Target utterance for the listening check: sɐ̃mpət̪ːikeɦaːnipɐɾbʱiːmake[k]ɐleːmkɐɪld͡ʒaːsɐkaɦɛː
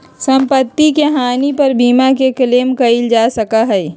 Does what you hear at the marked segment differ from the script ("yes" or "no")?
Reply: no